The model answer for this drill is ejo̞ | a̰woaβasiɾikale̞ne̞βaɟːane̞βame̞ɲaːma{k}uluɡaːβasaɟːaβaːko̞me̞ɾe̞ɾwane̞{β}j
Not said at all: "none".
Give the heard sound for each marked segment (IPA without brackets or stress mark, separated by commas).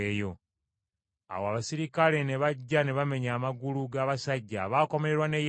ɡ, none